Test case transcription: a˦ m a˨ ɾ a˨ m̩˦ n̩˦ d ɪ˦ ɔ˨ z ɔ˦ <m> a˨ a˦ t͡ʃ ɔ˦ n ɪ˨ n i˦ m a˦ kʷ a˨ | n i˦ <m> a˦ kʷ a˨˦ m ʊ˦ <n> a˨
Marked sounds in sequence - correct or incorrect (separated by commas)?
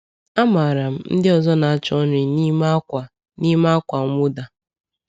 incorrect, correct, incorrect